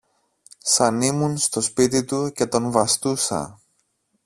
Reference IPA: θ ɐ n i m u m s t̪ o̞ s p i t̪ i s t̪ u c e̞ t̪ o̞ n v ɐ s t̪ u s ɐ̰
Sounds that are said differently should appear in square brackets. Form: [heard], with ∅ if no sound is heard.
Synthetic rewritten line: [s] ɐ n i m u [n] s t̪ o̞ s p i t̪ i [∅] t̪ u c e̞ t̪ o̞ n v ɐ s t̪ u s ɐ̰